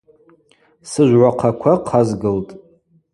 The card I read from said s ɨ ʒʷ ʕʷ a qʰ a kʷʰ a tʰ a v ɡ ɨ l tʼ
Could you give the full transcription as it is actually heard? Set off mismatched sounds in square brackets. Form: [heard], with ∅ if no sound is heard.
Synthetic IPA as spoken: s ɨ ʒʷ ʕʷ a qʰ a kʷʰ a [qʰ] a [z] ɡ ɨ l tʼ